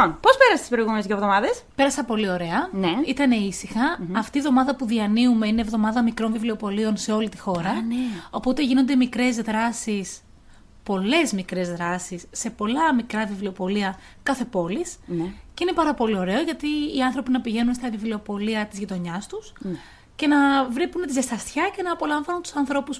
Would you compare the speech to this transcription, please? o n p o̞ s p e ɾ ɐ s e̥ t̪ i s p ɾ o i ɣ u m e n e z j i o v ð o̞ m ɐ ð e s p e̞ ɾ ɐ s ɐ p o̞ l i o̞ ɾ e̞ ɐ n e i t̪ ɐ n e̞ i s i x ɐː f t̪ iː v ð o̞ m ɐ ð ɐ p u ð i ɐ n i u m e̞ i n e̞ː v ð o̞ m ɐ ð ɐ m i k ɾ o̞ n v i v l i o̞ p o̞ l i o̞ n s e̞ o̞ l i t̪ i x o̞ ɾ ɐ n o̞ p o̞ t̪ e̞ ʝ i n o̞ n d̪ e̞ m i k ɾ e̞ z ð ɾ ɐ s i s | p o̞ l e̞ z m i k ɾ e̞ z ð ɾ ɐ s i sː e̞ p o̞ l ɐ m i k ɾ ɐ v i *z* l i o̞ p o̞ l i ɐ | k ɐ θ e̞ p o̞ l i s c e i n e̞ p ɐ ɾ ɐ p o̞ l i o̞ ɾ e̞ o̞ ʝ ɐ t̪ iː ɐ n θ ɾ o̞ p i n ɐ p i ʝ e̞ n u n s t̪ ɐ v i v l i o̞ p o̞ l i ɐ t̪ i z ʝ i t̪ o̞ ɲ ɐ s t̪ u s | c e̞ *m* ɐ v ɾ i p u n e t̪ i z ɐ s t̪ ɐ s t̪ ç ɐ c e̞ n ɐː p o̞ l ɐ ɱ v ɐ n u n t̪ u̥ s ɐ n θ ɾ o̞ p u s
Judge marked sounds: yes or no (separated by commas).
no, no